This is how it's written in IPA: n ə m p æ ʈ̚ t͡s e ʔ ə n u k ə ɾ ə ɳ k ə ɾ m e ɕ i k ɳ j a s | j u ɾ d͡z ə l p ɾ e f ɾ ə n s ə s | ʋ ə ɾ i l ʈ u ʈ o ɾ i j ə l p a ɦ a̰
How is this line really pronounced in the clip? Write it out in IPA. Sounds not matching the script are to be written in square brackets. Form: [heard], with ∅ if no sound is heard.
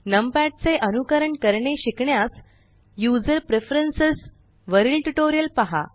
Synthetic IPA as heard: n ə m p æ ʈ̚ t͡s e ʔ ə n u k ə ɾ ə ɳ k ə ɾ [ɳ] e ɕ i k ɳ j a s | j u [∅] d͡z ə [ɾ] p ɾ e f ɾ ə n s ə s | ʋ ə ɾ i l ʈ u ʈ o ɾ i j ə l p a ɦ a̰